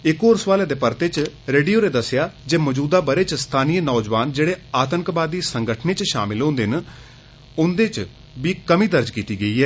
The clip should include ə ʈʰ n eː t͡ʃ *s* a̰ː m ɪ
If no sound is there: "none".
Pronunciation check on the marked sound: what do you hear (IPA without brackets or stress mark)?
ʃ